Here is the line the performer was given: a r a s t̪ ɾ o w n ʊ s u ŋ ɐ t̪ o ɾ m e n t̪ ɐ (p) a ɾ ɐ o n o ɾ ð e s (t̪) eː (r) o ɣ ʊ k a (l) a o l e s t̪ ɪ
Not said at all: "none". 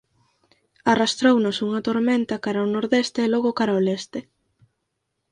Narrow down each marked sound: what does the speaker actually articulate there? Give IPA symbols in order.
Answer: k, t̪, l, ɾ

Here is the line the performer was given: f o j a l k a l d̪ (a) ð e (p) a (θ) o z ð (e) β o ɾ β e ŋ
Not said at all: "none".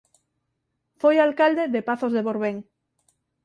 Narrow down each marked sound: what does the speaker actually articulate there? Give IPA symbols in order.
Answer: e, p, θ, e

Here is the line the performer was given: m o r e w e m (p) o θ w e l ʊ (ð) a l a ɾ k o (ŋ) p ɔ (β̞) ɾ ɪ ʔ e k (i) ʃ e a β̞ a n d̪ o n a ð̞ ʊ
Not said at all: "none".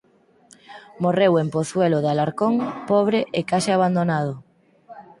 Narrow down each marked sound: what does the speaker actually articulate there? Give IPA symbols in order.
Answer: p, ð, ŋ, β̞, a

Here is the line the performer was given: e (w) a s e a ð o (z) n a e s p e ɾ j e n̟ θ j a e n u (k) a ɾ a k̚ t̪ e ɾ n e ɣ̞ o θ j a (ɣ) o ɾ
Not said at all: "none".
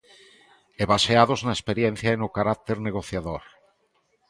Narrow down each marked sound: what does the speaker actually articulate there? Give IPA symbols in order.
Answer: β, z, k, ð

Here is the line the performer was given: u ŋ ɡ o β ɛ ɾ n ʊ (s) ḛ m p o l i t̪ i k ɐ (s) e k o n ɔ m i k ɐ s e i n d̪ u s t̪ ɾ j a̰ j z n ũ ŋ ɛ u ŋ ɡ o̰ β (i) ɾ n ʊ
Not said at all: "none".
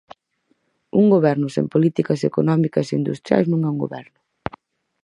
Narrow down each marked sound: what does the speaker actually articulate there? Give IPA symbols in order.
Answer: s, s, ɛ

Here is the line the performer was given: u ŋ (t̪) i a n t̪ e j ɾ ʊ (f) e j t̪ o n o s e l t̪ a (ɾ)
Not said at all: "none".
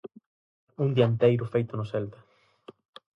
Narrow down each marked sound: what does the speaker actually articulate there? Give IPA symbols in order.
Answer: d̪, f, none

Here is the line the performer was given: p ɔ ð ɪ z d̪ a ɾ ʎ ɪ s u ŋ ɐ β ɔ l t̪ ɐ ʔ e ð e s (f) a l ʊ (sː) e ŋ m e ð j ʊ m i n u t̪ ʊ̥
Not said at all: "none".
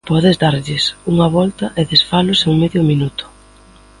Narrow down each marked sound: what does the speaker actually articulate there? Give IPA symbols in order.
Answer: f, s

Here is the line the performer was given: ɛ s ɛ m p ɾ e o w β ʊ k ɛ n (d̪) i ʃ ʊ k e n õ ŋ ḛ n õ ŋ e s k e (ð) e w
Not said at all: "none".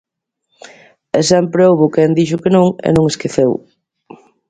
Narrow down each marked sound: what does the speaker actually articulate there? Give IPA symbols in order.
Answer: d̪, θ

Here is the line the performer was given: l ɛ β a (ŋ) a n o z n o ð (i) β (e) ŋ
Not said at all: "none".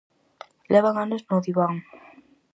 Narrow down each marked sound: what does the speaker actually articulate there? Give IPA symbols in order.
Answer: ŋ, i, a

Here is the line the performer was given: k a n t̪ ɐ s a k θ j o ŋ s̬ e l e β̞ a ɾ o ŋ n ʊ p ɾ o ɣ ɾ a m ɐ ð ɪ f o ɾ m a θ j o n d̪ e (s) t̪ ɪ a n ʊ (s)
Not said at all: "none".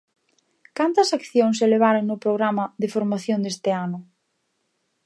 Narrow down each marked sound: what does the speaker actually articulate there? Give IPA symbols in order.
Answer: s, none

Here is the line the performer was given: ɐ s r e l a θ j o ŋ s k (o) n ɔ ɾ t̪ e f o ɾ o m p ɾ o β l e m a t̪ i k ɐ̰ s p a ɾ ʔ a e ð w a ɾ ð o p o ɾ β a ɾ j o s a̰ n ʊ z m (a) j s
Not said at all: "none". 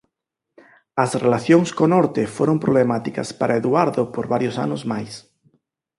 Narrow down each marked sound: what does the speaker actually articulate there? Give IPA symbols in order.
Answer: o, a

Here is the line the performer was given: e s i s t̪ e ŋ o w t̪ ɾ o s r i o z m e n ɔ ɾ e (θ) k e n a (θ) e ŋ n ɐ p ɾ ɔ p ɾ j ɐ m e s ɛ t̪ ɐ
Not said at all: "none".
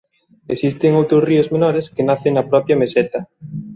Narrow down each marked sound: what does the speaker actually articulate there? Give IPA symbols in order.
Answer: s, θ

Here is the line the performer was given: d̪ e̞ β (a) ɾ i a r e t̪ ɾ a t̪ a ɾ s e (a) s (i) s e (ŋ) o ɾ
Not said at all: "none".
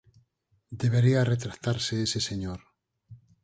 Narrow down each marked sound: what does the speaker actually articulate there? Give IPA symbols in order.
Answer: e, e, e, ɲ

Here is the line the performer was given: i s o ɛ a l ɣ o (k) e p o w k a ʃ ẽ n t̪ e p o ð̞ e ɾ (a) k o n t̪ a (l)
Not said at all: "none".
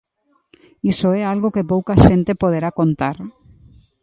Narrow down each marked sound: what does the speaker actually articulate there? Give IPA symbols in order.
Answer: k, a, ɾ

